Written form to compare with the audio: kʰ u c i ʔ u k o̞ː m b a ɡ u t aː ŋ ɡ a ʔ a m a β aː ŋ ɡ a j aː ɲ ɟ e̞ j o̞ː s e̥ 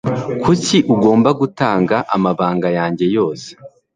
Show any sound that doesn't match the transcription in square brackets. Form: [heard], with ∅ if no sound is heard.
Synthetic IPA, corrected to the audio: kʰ u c i ʔ u [ɡ] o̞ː m b a ɡ u t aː ŋ ɡ a ʔ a m a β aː ŋ ɡ a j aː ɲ ɟ e̞ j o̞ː s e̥